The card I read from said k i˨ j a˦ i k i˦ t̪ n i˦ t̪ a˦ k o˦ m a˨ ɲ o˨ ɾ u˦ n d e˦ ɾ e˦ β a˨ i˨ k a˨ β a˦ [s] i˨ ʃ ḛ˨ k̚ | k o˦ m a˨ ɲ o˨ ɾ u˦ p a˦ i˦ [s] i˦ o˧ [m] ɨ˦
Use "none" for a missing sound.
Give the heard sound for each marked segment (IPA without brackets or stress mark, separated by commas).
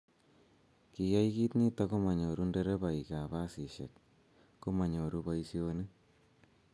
s, s, n